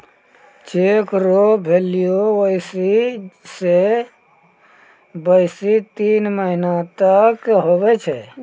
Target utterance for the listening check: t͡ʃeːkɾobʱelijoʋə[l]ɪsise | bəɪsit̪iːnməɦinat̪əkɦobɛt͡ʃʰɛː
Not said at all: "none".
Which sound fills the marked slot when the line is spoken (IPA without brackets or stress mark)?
none